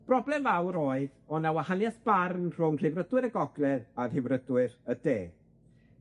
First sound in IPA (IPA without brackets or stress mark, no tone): b̥